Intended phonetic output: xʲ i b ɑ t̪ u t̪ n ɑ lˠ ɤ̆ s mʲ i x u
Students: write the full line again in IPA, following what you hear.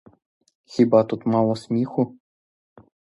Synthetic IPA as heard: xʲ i b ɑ t̪ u t̪ m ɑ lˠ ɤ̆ s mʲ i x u

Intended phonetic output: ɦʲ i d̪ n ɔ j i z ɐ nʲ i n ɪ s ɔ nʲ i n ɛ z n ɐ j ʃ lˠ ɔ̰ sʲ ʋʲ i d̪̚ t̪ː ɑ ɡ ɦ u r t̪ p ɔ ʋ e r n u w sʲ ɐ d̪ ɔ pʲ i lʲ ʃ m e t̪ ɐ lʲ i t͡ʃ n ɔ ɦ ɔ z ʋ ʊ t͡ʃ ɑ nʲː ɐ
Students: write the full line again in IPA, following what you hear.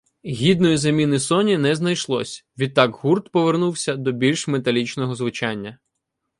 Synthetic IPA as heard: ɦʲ i d̪ n ɔ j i z ɐ mʲ i n ɪ s ɔ nʲ i n ɛ z n ɐ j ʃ lˠ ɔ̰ sʲ ʋʲ i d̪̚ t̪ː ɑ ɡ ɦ u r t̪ p ɔ ʋ e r n u w sʲ ɐ d̪ ɔ bʲ i lʲ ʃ m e t̪ ɐ lʲ i t͡ʃ n ɔ ɦ ɔ z ʋ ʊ t͡ʃ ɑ nʲː ɐ

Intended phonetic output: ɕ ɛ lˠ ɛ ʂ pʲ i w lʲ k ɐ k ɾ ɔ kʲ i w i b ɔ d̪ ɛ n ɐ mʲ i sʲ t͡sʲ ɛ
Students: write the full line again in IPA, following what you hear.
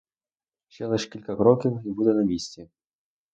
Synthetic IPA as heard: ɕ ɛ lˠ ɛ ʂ kʲ i lʲ k ɐ k ɾ ɔ kʲ i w i b u d̪ ɛ n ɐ mʲ i sʲ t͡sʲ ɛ

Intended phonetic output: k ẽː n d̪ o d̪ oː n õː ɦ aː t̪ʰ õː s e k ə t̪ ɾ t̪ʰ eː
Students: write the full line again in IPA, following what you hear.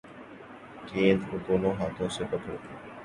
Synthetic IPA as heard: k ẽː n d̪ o d̪ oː n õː ɦ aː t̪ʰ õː s e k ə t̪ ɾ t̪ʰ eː

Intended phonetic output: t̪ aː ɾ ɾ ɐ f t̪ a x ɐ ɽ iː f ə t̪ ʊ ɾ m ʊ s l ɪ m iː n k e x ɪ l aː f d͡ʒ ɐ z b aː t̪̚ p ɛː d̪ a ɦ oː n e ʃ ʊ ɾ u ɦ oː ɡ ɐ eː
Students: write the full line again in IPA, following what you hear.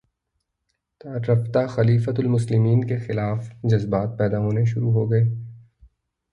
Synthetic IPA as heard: t̪ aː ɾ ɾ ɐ f t̪ a x ɐ l iː f ə t̪ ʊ l m ʊ s l ɪ m iː n k e x ɪ l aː f d͡ʒ ɐ z b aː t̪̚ p ɛː d̪ a ɦ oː n e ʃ ʊ ɾ u ɦ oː ɡ ɐ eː

